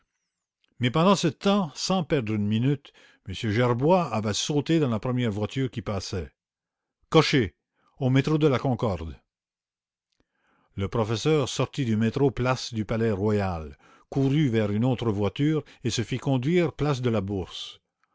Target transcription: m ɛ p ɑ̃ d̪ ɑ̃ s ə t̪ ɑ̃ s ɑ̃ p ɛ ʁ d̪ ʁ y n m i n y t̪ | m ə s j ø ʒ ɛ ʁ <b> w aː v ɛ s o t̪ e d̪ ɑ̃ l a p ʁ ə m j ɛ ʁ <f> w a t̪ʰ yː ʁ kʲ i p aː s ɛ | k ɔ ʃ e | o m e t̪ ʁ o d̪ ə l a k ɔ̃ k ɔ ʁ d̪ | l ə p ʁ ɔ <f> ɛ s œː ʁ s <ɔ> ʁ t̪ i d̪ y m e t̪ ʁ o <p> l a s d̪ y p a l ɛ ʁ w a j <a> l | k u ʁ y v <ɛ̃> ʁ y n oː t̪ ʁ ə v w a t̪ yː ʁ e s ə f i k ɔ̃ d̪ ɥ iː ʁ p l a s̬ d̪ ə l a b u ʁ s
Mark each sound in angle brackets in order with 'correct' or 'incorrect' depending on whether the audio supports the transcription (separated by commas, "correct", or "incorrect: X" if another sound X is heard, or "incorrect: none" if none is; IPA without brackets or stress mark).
correct, incorrect: v, correct, correct, correct, correct, incorrect: ɛ